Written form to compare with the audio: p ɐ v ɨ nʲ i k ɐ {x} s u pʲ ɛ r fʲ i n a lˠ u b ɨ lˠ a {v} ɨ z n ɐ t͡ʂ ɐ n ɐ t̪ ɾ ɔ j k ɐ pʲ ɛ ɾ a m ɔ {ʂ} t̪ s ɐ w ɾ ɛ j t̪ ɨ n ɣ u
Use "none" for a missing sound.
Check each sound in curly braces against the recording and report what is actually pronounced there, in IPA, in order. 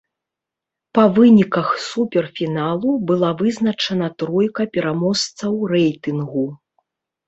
x, v, s

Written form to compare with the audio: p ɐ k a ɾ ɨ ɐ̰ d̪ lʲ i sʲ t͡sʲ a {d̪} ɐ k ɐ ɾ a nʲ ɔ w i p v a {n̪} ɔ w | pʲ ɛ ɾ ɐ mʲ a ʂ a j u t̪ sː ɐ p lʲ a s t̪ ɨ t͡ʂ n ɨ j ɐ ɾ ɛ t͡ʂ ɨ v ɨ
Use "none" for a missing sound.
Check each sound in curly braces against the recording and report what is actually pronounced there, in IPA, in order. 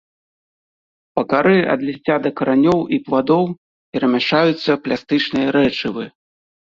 d̪, d̪

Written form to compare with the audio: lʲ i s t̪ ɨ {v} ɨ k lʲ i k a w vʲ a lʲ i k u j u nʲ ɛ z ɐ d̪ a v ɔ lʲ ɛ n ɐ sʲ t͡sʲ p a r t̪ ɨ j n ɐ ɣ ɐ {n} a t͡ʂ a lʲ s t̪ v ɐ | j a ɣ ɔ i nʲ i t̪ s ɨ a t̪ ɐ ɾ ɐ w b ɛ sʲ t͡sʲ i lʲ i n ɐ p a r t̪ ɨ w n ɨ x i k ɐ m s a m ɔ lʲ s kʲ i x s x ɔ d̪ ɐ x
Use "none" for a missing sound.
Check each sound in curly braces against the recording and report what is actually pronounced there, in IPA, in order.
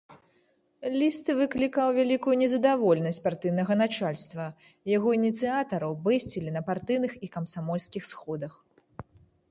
v, n

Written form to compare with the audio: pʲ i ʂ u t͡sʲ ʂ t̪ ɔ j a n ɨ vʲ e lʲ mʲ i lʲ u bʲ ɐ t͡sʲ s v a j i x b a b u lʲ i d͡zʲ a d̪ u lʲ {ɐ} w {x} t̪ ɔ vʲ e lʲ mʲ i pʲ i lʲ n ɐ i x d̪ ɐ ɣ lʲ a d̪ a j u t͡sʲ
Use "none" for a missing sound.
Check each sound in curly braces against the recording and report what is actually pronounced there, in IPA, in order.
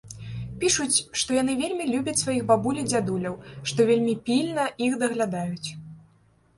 ɐ, ʂ

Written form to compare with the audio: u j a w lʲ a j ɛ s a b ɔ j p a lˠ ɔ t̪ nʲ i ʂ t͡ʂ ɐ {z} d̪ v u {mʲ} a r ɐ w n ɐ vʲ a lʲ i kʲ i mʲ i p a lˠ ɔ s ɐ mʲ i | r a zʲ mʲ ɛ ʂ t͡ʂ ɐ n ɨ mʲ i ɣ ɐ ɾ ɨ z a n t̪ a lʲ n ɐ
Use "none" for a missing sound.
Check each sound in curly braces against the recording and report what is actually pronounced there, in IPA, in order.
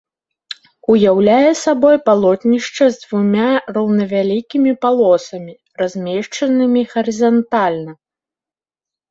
z, mʲ

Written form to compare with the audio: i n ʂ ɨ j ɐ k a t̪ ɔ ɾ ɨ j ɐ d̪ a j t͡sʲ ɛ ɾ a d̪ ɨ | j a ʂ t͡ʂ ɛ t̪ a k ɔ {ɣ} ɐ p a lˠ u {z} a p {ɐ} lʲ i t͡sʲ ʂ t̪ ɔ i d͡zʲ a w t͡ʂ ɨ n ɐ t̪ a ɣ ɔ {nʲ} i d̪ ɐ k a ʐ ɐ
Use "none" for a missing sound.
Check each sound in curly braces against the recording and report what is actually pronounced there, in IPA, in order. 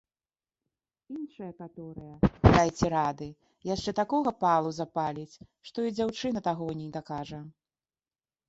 ɣ, z, a, nʲ

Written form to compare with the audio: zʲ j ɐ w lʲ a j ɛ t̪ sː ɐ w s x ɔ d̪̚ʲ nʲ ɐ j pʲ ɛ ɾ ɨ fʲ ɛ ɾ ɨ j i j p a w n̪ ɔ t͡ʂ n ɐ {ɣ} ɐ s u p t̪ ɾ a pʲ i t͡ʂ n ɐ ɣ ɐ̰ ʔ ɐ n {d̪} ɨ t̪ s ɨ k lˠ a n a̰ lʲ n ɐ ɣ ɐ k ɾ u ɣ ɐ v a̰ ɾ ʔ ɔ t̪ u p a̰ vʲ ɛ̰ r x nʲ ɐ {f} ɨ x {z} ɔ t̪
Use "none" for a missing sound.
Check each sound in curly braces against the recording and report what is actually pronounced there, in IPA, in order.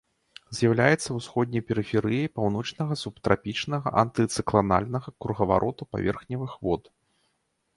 ɣ, t̪, v, v

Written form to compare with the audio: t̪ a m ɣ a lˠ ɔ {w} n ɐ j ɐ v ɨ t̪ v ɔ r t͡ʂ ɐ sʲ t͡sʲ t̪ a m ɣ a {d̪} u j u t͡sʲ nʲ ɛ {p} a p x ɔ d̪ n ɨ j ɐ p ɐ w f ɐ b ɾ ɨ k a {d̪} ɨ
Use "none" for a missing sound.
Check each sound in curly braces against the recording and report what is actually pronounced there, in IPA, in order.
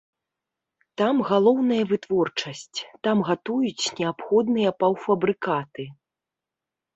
w, t̪, none, t̪

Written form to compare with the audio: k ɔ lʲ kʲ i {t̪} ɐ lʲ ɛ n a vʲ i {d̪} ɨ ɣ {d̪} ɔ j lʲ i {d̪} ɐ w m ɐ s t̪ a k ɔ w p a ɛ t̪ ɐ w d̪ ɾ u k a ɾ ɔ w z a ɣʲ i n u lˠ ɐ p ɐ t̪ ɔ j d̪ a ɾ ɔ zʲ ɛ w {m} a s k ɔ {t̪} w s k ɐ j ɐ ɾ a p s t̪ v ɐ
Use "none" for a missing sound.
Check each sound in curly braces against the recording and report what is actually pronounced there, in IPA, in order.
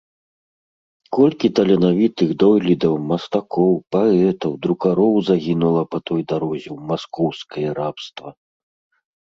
t̪, t̪, d̪, d̪, m, none

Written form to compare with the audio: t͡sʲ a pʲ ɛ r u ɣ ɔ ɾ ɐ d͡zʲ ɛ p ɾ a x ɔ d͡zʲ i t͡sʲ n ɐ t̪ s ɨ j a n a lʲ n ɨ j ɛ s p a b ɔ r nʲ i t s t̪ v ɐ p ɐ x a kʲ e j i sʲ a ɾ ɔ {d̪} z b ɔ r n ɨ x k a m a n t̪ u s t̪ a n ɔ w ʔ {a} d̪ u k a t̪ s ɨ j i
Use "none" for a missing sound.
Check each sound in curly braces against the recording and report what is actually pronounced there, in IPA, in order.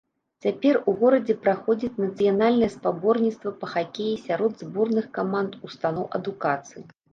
d̪, ɐ

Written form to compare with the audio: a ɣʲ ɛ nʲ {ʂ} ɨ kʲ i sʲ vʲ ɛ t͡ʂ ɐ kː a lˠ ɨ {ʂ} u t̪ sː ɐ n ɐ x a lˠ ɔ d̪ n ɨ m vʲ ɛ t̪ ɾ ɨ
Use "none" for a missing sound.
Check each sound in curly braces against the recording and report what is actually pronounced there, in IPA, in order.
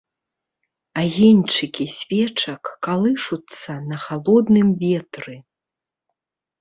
t͡ʂ, ʂ

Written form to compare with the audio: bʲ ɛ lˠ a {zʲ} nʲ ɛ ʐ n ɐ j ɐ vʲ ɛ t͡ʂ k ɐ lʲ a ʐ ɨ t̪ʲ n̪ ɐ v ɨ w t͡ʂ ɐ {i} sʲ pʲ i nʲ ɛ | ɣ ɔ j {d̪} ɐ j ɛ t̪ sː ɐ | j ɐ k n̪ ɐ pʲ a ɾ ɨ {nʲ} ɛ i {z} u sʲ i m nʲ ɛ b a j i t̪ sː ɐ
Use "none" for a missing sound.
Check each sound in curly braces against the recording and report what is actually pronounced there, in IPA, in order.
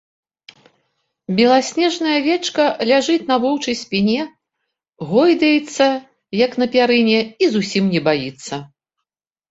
sʲ, j, d̪, nʲ, z

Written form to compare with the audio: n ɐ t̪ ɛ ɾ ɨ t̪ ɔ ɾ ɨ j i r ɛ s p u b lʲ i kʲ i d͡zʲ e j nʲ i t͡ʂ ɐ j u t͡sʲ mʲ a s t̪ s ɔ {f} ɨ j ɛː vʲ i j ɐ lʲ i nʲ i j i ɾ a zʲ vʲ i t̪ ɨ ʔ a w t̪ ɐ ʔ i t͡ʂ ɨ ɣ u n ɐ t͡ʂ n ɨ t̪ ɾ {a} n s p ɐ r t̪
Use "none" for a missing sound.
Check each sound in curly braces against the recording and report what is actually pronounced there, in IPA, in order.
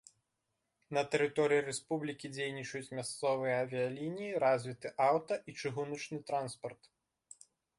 v, a

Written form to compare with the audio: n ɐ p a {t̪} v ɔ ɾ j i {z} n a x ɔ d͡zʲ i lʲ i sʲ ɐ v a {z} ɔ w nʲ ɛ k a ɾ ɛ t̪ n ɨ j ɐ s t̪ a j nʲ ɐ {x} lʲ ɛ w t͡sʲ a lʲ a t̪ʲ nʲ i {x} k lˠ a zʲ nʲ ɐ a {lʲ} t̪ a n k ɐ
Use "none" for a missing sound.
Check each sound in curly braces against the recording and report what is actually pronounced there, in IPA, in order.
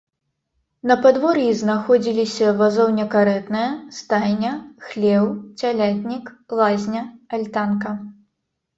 d̪, z, z, x, none, lʲ

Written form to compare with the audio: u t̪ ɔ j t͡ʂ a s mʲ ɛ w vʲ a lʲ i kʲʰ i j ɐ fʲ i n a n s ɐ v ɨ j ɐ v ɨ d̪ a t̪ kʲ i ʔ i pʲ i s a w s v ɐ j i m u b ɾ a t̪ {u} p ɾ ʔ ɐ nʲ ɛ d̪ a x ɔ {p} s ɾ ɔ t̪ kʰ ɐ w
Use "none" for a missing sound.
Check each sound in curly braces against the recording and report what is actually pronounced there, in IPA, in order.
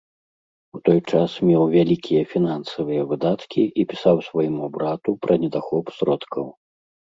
u, p

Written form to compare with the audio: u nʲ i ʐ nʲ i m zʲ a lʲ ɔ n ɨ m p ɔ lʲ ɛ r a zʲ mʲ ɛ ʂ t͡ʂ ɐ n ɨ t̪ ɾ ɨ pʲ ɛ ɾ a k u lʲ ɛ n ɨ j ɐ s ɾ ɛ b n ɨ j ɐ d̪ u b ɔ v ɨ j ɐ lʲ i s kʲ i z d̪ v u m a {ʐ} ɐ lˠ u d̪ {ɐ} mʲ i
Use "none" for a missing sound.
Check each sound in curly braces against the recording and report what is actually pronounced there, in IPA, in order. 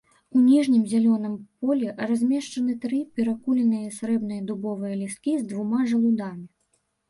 ʐ, a

